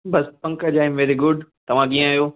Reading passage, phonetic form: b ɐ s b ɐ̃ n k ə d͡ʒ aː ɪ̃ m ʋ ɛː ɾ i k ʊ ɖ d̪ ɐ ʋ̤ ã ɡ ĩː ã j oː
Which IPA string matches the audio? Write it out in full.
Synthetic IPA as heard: b ɐ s p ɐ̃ ŋ k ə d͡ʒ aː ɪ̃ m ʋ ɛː ɾ i ɡ ʊ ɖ t̪ ɐ ʋ̤ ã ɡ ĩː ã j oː